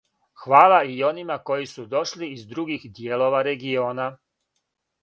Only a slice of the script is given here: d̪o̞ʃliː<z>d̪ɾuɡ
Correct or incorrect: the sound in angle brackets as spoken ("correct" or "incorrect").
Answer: correct